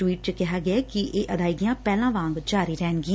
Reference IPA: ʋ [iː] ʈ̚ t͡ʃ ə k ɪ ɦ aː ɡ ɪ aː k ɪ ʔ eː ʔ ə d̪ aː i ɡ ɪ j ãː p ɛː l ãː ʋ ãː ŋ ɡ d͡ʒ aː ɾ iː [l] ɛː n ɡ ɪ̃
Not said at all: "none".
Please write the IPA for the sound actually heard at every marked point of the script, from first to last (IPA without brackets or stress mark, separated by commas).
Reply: iː, ɾ